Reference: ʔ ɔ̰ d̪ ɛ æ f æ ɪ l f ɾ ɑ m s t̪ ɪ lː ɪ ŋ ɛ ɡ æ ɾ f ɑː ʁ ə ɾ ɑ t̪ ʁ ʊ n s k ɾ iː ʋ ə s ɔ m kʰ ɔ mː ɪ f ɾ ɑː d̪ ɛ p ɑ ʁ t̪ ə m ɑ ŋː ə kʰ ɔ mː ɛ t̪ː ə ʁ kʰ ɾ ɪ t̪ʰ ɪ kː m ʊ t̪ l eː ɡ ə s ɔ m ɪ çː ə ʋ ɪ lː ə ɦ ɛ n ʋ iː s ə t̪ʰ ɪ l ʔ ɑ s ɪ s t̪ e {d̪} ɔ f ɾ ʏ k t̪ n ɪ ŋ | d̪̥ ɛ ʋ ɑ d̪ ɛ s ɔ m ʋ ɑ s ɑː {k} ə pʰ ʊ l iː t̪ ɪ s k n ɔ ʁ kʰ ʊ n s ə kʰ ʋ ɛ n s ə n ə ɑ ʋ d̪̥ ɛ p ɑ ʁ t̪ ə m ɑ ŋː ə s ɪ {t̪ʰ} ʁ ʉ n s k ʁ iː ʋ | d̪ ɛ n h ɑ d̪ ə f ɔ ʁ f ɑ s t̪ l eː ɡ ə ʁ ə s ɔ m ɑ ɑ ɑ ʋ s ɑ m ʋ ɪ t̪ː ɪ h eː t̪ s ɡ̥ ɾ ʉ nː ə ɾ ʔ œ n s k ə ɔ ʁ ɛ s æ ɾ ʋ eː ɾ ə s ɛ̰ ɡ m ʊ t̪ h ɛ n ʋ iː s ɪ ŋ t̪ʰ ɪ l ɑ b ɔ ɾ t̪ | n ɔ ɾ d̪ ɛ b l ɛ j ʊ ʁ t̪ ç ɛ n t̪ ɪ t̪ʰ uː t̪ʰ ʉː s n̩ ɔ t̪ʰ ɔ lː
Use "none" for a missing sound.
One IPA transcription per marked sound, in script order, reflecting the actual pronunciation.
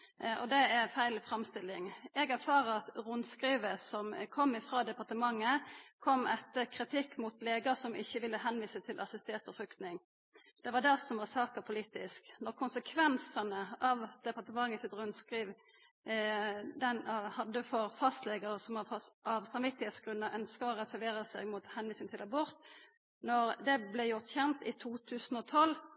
t̪, k, t̪

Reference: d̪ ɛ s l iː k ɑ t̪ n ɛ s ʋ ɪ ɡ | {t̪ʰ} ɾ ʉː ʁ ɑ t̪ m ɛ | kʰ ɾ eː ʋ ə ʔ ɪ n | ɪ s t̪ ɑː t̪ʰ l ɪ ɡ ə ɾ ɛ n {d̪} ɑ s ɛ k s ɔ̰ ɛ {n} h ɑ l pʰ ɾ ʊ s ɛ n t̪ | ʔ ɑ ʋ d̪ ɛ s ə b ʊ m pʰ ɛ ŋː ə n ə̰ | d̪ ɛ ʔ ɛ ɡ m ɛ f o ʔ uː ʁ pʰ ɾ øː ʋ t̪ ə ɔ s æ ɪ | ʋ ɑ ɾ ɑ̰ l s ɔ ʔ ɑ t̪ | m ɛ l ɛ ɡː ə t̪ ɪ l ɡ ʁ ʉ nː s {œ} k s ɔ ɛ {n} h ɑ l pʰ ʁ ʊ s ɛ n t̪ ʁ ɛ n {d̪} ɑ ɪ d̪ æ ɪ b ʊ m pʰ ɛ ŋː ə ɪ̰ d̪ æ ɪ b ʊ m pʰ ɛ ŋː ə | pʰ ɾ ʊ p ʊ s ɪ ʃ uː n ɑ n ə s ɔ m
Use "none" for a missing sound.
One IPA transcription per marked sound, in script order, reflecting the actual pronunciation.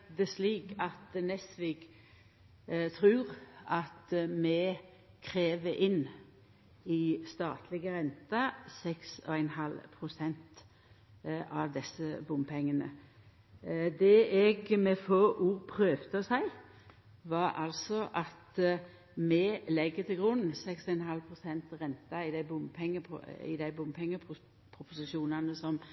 t̪ʰ, t̪, n, ɛ, n, t̪

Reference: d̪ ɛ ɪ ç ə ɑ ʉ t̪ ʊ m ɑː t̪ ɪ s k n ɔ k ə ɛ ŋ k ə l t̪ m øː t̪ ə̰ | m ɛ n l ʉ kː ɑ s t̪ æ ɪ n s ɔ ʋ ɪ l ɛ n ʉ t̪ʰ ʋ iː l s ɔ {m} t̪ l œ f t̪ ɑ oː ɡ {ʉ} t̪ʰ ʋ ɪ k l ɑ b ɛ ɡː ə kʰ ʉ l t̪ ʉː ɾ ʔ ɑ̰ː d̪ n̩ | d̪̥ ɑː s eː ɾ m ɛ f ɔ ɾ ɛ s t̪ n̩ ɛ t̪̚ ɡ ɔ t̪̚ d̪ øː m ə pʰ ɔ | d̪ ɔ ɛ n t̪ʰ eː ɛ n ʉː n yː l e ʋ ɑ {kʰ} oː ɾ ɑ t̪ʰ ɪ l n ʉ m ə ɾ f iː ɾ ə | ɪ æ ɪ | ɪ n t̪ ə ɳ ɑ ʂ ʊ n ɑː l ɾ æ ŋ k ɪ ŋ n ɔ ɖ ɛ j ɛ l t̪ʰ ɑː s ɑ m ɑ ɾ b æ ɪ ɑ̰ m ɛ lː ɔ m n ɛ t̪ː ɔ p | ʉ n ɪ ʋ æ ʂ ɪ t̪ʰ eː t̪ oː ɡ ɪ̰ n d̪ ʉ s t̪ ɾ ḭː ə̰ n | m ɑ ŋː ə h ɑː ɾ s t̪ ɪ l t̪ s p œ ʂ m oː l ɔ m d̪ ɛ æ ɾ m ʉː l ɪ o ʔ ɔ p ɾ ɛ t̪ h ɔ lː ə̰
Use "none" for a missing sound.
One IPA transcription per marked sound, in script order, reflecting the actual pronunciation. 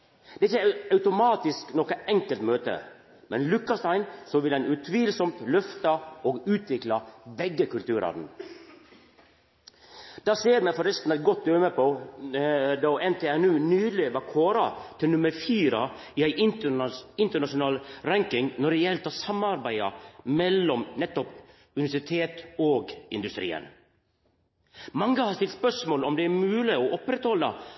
m, ʉː, kʰ

